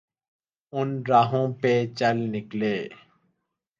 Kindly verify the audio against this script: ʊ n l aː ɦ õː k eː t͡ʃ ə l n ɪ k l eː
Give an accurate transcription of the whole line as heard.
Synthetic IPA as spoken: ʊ n ɾ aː ɦ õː p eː t͡ʃ ə l n ɪ k l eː